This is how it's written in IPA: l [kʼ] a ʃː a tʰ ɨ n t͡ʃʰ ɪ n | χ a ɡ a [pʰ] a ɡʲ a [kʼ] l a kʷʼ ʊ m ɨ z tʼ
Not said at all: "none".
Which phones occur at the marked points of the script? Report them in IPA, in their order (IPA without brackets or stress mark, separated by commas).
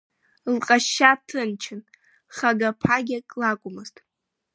qʼ, pʰ, kʼ